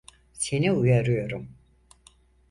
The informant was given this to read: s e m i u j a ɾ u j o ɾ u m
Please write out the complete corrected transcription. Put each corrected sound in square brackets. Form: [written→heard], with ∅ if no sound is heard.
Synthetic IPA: s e [m→n] i u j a ɾ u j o ɾ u m

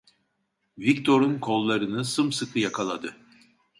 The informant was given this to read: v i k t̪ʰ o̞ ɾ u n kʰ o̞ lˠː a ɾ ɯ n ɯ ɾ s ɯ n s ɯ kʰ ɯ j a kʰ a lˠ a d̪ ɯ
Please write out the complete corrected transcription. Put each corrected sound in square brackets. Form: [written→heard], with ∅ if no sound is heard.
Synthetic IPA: v i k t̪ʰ o̞ ɾ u n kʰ o̞ lˠː a ɾ ɯ n ɯ [ɾ→∅] s ɯ [n→m] s ɯ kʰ ɯ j a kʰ a lˠ a d̪ ɯ

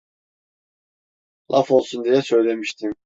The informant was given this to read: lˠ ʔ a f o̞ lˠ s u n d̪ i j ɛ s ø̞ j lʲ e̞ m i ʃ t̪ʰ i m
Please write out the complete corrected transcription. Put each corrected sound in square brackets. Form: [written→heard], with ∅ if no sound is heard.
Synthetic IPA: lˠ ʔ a f o̞ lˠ s u n d̪ i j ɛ s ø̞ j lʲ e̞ m i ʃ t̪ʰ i m

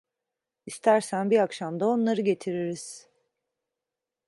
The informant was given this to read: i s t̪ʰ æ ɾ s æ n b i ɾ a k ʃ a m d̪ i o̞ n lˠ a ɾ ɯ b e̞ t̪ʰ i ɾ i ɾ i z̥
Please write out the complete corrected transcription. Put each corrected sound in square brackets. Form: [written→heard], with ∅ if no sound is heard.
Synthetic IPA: i s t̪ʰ æ ɾ s æ n b i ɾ a k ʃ a m d̪ [i→a] o̞ n lˠ a ɾ ɯ [b→ɟ] e̞ t̪ʰ i ɾ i ɾ i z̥

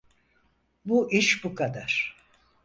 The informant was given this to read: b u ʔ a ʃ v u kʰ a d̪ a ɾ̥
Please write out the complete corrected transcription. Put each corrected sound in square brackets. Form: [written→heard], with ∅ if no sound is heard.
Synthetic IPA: b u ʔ [a→i] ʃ [v→b] u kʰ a d̪ a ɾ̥

